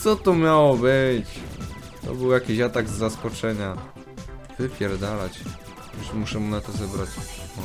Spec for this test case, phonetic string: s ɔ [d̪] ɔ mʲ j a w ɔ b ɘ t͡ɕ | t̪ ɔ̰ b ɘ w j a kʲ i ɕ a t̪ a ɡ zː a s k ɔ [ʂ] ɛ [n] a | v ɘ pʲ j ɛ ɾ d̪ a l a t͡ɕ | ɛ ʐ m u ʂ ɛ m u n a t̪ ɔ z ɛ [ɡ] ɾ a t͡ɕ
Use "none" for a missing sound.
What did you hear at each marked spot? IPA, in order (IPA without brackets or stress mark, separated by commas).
t̪, t͡ʂ, ɲ, b